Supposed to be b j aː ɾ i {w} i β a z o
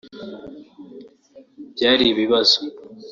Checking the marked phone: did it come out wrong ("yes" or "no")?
yes